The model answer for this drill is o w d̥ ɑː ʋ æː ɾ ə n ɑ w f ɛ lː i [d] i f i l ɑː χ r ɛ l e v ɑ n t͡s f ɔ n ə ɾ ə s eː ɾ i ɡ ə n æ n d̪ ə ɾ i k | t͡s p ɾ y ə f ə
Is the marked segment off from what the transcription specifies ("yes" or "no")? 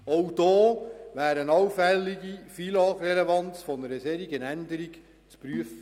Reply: yes